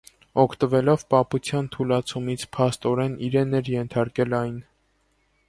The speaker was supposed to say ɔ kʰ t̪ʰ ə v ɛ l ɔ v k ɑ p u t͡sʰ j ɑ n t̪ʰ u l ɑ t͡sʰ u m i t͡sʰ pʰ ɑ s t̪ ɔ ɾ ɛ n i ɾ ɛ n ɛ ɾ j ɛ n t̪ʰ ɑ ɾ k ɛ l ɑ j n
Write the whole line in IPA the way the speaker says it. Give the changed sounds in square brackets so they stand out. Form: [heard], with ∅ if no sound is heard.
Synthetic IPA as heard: ɔ kʰ [t̪] ə v ɛ l ɔ v [p] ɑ p u t͡sʰ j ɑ n t̪ʰ u l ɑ t͡sʰ u m i t͡sʰ pʰ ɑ s t̪ ɔ ɾ ɛ n i ɾ ɛ n ɛ ɾ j ɛ n t̪ʰ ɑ ɾ k ɛ l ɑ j n